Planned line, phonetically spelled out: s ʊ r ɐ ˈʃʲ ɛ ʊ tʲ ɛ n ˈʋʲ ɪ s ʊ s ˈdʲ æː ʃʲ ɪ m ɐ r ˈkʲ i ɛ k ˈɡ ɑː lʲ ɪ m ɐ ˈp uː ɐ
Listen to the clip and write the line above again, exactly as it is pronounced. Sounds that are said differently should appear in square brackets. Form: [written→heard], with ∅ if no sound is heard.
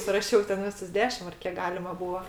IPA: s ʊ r ɐ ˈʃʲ ɛ ʊ tʲ ɛ n ˈʋʲ ɪ s ʊ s ˈdʲ æː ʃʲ ɪ m ɐ r ˈkʲ i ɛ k ˈɡ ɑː lʲ ɪ m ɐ [ˈp→ˈb] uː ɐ